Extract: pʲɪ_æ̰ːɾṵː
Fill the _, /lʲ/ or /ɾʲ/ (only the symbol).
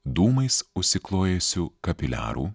lʲ